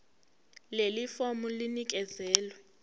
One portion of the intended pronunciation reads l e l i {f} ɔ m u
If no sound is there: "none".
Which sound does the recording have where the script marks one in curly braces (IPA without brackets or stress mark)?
f